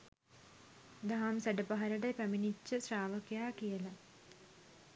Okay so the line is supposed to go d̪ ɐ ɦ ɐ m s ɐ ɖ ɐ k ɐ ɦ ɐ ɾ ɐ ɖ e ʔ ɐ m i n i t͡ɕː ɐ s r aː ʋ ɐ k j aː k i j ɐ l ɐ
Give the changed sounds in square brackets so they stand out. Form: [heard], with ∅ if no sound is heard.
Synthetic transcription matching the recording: d̪ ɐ ɦ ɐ m s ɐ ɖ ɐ [p] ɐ ɦ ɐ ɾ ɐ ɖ e [p] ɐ m i n i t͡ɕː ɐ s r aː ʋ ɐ k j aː k i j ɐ l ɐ